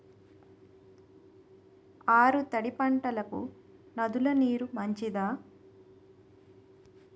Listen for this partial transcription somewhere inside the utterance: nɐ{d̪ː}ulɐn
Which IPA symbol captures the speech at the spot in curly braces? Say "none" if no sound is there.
d̪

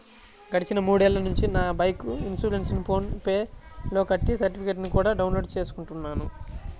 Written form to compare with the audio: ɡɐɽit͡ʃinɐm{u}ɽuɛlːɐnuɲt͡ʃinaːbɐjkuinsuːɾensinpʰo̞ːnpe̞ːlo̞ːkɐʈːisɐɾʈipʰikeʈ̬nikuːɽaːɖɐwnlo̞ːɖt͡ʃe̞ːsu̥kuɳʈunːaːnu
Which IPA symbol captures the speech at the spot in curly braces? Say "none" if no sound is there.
uː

